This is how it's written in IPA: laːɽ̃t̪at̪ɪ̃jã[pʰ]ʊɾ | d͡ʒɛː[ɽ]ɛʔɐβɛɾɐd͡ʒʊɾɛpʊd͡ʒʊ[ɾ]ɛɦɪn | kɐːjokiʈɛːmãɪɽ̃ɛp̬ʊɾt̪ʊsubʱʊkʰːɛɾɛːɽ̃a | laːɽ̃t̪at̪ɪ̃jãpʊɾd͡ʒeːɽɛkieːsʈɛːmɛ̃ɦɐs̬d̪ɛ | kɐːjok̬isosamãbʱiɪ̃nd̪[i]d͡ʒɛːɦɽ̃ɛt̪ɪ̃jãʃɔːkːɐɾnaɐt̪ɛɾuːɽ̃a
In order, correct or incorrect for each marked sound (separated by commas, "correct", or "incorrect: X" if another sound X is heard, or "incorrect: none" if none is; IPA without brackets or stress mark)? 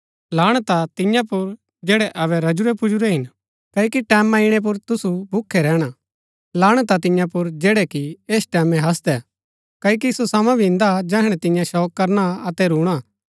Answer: incorrect: p, correct, correct, incorrect: a